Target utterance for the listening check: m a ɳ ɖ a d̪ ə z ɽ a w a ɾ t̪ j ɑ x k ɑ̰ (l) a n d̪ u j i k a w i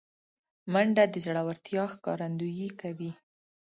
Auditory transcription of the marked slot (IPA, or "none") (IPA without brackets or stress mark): ɾ